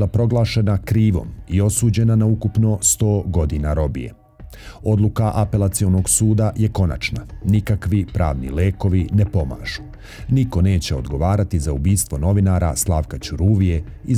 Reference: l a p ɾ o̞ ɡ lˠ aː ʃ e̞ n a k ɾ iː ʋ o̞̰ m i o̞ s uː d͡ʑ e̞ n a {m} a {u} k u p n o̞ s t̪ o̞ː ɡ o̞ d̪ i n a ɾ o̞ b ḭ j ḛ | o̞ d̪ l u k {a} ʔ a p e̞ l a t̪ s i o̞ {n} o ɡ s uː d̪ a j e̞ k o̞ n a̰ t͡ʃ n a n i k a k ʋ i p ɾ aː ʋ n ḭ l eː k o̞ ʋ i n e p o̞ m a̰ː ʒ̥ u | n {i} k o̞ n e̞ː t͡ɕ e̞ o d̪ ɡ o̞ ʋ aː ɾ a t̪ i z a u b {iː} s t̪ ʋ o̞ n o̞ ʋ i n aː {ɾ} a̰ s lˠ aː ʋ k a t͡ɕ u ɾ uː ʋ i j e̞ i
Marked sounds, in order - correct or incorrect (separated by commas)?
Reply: incorrect, correct, correct, correct, correct, correct, correct